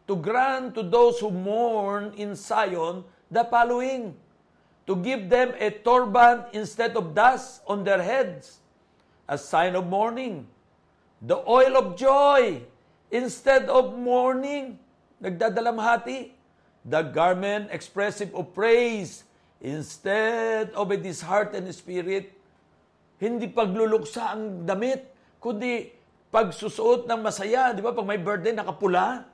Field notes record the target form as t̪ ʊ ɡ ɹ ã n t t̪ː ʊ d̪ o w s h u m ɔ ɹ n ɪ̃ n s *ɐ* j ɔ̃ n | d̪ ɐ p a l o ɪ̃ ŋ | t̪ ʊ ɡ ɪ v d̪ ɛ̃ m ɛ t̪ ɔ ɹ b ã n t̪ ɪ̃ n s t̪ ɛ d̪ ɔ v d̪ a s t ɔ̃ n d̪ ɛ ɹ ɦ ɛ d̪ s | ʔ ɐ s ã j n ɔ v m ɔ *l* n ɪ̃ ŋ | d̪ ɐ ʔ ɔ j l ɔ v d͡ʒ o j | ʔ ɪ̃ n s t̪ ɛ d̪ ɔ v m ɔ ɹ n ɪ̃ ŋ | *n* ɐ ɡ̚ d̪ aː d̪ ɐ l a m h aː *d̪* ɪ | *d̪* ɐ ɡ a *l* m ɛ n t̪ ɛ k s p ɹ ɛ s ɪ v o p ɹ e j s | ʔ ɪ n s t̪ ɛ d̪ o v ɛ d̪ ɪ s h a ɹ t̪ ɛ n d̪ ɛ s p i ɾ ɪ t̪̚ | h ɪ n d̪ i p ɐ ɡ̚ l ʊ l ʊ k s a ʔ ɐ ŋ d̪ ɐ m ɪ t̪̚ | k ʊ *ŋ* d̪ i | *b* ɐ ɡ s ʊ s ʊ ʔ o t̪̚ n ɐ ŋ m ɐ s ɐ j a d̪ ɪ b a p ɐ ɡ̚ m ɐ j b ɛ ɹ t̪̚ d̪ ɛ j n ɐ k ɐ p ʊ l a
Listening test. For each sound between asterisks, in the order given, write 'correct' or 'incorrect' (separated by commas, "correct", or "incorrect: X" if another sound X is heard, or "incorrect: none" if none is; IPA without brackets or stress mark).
incorrect: a, incorrect: ɹ, correct, incorrect: t̪, correct, incorrect: ɹ, incorrect: n, incorrect: p